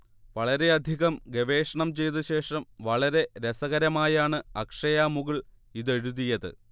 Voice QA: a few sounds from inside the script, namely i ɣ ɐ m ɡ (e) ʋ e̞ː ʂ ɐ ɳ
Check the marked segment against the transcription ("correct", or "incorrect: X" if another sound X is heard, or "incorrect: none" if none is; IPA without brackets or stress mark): correct